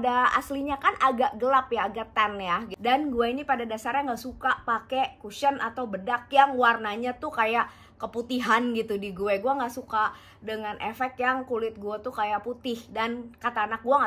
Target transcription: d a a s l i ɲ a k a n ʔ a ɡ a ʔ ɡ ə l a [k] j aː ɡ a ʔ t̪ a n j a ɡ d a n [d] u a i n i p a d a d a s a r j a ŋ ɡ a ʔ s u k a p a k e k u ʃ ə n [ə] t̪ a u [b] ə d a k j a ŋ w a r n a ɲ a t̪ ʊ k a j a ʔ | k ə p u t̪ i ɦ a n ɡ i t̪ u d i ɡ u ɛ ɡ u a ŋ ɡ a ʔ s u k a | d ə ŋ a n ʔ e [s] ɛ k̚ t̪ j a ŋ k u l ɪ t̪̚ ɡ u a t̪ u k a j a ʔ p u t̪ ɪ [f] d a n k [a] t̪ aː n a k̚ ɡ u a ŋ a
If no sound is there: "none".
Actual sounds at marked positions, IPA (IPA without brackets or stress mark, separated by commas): p, ɡ, a, b, f, h, a